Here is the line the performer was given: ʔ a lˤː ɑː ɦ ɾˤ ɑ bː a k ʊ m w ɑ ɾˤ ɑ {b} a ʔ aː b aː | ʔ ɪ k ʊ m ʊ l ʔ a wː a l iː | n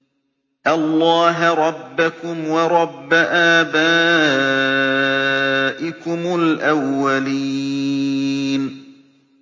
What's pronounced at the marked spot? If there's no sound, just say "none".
bː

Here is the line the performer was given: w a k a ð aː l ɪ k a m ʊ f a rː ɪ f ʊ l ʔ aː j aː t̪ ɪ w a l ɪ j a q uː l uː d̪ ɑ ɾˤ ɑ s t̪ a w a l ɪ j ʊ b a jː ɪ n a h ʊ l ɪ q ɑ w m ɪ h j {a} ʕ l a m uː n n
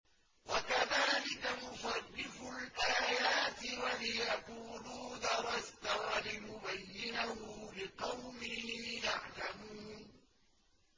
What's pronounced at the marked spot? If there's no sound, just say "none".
a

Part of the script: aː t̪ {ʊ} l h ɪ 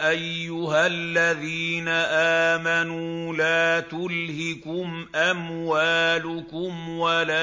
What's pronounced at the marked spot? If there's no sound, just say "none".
ʊ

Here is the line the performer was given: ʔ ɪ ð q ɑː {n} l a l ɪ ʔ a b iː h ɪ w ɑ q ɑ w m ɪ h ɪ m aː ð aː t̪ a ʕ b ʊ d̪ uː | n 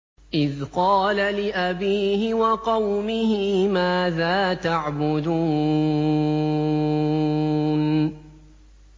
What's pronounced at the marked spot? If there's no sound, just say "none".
none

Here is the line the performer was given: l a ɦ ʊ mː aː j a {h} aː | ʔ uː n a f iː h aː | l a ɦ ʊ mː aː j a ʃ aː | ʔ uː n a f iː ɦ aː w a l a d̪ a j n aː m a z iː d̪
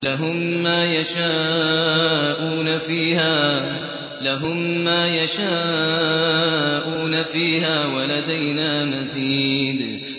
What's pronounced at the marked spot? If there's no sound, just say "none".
ʃ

